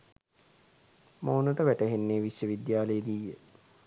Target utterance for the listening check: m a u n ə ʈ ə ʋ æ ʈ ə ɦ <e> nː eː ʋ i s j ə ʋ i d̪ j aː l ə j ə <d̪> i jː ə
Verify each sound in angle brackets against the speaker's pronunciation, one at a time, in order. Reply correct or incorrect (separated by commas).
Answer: correct, correct